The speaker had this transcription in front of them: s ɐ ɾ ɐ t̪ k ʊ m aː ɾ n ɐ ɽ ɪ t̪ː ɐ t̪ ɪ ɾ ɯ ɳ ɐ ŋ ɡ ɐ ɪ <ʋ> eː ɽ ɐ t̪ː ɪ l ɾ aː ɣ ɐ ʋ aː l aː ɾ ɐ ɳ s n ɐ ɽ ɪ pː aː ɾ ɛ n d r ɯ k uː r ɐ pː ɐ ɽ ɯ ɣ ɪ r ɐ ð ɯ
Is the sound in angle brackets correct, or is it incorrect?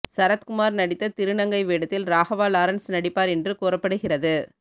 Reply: correct